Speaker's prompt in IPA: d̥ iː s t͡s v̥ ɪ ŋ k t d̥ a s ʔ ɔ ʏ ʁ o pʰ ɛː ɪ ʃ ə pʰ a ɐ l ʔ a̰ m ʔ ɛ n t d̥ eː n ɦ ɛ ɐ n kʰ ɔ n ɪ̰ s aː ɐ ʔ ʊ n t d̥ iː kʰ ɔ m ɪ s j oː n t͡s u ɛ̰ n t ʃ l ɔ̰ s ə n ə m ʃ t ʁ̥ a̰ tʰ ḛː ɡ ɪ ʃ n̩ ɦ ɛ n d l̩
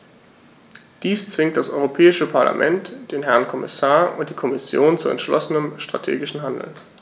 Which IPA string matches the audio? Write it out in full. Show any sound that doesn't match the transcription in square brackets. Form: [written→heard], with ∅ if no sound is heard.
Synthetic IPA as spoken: d̥ iː s t͡s v̥ ɪ ŋ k t d̥ a s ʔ ɔ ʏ ʁ o pʰ ɛː ɪ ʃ ə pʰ a ɐ l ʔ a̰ m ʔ ɛ n t d̥ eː n ɦ ɛ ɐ n kʰ ɔ [n→m] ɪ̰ s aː ɐ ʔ ʊ n t d̥ iː kʰ ɔ m ɪ s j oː n t͡s u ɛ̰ n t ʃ l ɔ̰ s ə n ə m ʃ t ʁ̥ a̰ tʰ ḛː ɡ ɪ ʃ n̩ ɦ [ɛ→a] n d l̩